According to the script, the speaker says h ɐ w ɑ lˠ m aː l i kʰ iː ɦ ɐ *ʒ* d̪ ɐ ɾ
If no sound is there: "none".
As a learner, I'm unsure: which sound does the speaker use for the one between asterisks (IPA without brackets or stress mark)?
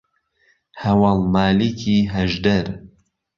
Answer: ʒ